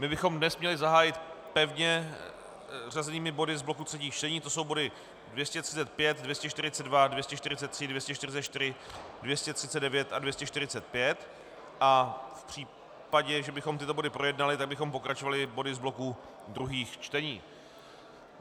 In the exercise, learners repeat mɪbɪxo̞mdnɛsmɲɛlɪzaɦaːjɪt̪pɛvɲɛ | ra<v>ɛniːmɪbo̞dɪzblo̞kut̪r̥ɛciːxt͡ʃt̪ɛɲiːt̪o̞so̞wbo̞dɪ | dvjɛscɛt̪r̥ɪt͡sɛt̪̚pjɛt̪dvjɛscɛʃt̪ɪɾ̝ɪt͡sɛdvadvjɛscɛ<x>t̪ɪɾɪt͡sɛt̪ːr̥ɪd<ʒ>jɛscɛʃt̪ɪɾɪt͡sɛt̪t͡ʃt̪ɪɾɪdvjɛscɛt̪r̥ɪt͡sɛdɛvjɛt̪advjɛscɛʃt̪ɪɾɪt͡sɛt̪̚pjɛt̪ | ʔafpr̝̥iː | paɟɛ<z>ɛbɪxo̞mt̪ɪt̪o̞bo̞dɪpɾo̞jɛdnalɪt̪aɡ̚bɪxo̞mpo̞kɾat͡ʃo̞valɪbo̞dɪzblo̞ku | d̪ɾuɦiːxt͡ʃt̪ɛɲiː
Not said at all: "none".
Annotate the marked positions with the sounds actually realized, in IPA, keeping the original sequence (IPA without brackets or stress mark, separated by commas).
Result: z, ʃ, v, ʒ